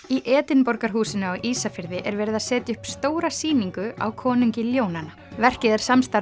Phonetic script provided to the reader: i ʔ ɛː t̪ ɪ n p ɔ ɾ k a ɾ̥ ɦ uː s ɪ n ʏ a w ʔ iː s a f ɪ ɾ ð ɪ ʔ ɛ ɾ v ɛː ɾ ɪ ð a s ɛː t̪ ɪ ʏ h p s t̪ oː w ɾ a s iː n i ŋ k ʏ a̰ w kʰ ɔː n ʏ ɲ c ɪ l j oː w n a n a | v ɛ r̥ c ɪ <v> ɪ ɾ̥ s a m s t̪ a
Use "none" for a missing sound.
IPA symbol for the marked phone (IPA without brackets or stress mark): ð